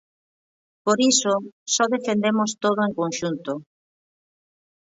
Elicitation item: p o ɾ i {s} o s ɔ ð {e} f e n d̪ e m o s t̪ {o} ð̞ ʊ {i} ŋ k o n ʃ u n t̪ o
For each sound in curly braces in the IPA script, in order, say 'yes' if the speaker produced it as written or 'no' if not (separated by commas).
yes, yes, yes, no